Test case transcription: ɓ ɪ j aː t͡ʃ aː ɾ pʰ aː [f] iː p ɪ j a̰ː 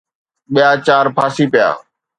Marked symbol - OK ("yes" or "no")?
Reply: no